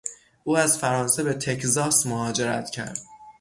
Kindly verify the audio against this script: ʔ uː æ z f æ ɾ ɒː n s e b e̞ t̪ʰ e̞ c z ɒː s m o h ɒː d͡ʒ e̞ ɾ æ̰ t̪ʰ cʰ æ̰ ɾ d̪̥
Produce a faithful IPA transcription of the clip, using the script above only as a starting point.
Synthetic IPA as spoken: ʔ uː æ z f æ ɾ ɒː n s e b e̞ t̪ʰ e̞ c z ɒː s m o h ɒː d͡ʒ e̞ ɾ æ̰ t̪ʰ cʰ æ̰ ɾ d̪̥

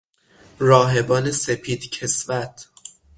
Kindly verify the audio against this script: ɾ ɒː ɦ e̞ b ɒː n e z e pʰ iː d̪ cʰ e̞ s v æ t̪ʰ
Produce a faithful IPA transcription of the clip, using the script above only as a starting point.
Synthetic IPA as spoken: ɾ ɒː ɦ e̞ b ɒː n e s e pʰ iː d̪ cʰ e̞ s v æ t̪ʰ

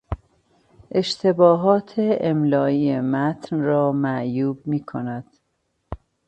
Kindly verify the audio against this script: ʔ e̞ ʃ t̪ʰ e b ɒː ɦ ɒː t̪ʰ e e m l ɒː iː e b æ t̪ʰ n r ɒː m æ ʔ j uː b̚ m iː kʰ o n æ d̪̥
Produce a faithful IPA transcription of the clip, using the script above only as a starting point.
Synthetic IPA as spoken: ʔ e̞ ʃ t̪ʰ e b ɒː ɦ ɒː t̪ʰ e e m l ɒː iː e m æ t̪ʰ n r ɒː m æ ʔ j uː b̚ m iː kʰ o n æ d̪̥

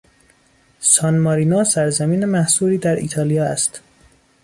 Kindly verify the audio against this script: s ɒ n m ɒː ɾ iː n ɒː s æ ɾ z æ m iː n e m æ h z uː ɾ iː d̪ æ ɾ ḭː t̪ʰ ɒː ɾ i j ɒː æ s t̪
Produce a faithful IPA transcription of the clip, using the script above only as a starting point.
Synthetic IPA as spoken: s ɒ n m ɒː ɾ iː n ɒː s æ ɾ z æ m iː n e m æ h s uː ɾ iː d̪ æ ɾ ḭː t̪ʰ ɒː l i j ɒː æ s t̪

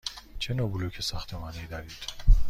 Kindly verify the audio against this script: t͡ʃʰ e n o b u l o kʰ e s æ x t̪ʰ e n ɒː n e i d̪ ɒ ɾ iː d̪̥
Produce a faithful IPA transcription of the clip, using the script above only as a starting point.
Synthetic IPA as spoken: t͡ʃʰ e n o b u l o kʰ e s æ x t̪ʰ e m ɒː n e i d̪ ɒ ɾ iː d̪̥

